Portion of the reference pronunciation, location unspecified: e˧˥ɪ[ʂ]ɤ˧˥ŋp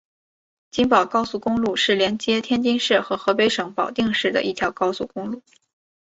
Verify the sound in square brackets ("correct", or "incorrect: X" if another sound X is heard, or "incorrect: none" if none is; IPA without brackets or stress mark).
correct